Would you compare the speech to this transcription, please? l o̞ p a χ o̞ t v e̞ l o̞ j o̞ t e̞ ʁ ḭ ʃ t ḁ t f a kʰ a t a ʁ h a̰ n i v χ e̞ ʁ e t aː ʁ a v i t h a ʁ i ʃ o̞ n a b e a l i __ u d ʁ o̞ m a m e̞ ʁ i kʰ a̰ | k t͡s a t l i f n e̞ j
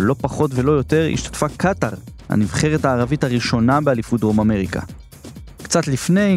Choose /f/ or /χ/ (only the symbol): f